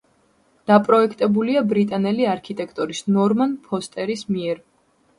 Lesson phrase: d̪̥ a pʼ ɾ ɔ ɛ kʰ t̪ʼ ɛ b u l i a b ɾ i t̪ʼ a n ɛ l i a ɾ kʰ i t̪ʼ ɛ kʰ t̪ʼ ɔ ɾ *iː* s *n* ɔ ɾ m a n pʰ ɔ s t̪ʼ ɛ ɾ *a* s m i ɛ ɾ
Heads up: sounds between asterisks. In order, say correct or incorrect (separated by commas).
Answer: incorrect, correct, incorrect